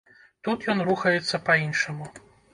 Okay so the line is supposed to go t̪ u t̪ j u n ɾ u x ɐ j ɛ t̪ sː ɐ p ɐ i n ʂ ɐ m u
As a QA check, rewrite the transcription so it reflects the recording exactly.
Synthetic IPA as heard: t̪ u t̪ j ɔ n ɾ u x ɐ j ɛ t̪ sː ɐ p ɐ i n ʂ ɐ m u